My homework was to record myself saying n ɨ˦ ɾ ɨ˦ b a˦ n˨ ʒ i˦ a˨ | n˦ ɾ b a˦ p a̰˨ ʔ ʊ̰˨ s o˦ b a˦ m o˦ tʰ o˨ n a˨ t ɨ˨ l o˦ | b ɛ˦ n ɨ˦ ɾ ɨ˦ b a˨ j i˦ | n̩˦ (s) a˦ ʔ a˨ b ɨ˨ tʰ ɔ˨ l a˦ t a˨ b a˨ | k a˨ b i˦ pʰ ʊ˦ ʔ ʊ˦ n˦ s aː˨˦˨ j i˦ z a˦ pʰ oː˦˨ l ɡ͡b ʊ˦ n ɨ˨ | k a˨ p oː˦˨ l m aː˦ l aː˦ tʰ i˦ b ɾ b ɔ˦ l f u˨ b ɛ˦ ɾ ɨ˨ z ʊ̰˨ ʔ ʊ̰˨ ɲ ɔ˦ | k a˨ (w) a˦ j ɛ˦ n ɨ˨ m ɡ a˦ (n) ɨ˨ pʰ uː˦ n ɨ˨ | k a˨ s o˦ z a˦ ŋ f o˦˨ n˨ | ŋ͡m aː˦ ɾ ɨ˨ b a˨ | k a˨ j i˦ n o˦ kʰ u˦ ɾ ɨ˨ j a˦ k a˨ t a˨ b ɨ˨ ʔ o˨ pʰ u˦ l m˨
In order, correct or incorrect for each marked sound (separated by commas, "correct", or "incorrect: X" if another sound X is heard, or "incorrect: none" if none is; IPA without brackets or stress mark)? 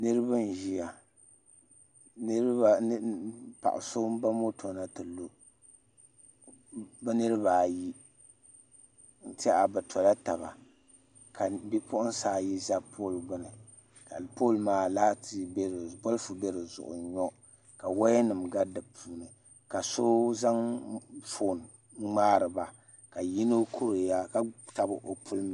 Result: incorrect: t, correct, incorrect: d